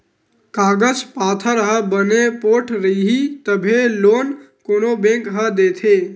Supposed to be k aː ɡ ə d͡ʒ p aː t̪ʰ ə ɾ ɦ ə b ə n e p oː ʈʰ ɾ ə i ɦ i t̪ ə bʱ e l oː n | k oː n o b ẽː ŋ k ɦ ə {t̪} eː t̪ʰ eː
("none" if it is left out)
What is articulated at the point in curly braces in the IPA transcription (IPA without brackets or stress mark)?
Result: d̪